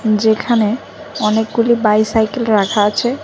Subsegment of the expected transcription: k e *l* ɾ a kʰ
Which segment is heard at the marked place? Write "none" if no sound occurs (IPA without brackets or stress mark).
l